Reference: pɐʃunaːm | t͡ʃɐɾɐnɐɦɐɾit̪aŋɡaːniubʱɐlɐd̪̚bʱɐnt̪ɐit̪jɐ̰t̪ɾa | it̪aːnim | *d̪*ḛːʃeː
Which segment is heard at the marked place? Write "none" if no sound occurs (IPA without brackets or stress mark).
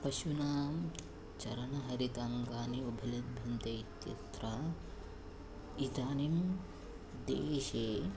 d̪